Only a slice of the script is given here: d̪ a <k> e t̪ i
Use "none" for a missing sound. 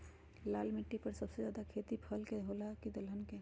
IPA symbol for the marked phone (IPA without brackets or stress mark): kʰ